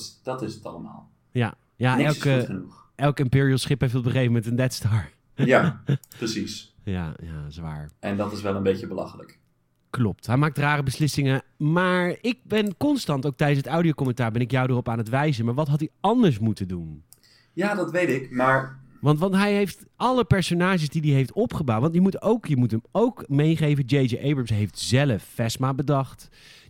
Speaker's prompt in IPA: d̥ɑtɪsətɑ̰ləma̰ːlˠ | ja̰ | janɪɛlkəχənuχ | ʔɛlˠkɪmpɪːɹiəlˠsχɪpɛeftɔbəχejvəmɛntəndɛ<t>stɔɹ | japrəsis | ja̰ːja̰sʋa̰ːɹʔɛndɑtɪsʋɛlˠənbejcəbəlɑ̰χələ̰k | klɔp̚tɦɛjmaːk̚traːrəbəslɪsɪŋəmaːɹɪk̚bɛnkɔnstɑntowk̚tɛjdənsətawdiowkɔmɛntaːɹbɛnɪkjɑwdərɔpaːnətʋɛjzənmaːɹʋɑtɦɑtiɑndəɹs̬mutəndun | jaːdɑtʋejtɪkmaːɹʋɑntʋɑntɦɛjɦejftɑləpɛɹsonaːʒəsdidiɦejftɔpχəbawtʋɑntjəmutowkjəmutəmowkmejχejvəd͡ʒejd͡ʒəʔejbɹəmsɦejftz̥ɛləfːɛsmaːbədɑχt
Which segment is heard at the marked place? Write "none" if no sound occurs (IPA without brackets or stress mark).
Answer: t